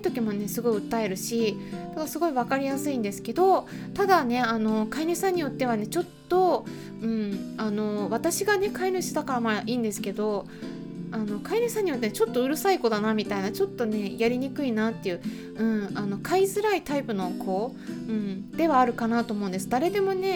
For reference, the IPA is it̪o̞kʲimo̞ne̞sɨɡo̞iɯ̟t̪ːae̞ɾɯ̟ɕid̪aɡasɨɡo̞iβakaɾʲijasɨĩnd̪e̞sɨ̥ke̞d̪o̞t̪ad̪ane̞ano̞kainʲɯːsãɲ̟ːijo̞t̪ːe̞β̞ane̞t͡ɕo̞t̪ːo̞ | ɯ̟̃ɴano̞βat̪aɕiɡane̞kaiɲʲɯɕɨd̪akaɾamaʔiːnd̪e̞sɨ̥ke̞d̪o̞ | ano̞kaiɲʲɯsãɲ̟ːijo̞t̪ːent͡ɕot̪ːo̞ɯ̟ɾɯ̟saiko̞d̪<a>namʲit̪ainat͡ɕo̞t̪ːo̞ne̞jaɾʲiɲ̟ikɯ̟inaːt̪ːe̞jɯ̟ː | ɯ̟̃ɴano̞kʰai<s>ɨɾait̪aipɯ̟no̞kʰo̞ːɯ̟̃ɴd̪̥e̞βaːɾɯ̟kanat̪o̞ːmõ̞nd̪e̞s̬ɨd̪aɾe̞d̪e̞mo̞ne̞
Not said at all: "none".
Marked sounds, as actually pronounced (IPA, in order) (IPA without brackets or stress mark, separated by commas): a, z